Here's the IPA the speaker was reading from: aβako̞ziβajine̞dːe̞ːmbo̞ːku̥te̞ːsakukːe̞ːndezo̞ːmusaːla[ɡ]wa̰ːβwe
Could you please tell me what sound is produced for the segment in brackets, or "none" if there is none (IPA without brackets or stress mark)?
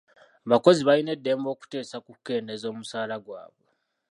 ɡ